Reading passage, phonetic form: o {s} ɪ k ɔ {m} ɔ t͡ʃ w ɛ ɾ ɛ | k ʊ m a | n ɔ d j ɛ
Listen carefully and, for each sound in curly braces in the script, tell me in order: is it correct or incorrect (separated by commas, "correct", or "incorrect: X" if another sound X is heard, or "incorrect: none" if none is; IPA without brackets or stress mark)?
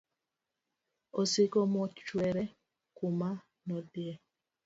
correct, correct